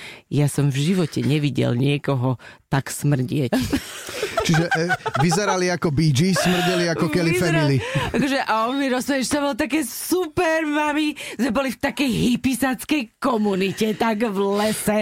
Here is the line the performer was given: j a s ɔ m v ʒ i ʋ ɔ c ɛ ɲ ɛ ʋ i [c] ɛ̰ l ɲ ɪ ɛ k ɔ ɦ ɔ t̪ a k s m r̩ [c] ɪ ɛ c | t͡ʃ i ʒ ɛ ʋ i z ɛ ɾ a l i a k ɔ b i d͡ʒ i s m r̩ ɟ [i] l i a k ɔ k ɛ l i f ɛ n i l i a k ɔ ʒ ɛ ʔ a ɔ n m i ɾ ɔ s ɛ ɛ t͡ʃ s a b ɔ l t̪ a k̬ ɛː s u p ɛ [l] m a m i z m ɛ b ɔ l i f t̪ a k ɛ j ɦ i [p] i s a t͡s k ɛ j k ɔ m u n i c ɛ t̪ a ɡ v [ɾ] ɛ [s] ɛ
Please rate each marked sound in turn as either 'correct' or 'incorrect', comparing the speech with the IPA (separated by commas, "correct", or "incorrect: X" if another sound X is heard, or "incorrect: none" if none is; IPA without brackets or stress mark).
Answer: incorrect: ɟ, incorrect: ɟ, incorrect: ɛ, incorrect: ɾ, correct, incorrect: l, correct